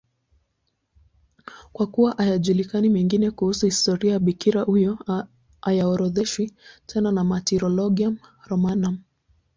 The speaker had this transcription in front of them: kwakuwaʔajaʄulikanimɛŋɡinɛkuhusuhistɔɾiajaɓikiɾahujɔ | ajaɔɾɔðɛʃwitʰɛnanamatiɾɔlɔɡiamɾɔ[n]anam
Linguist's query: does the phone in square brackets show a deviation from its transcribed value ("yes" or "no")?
yes